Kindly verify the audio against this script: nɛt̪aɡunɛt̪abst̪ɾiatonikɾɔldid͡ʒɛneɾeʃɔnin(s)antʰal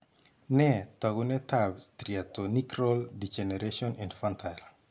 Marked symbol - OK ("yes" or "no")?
no